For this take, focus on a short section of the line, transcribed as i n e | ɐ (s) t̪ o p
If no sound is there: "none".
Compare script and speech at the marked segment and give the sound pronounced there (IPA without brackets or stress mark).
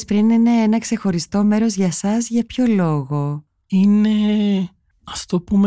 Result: f